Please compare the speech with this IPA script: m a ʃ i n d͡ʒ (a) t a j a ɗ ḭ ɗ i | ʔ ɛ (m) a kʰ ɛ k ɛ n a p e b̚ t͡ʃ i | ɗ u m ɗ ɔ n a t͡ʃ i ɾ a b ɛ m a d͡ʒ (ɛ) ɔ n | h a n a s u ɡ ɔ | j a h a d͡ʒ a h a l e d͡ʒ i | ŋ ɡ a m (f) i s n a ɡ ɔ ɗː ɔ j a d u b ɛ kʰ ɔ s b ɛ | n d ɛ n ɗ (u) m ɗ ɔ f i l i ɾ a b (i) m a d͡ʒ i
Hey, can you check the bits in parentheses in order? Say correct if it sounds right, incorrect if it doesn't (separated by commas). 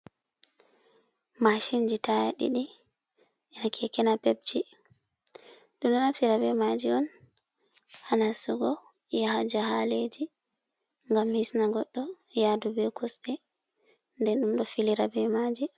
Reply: incorrect, incorrect, incorrect, incorrect, correct, incorrect